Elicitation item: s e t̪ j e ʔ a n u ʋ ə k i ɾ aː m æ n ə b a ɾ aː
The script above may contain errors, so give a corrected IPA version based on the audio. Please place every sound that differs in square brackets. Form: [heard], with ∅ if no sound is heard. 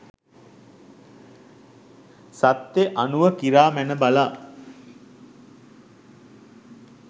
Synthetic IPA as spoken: s [a] t̪ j e ʔ a n u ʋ ə k i ɾ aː m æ n ə b a [l] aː